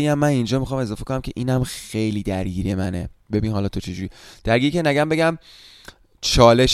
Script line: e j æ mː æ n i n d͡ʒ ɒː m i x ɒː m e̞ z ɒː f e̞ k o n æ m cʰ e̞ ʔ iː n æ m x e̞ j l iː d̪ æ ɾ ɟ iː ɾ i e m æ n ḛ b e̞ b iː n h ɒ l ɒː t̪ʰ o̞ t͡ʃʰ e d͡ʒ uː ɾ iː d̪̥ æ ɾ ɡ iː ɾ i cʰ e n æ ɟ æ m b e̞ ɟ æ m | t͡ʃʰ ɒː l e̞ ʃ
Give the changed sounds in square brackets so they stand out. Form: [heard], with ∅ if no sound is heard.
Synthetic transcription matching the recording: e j æ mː æ n i n d͡ʒ ɒː m i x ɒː m e̞ z ɒː f e̞ k o n æ m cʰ e̞ ʔ iː n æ m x e̞ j l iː d̪ æ ɾ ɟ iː ɾ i e m æ n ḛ b e̞ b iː n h ɒ l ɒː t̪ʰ o̞ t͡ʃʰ e d͡ʒ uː ɾ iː d̪̥ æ ɾ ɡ iː ɾ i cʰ e n æ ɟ æ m b e̞ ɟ æ m | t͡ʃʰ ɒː l e̞ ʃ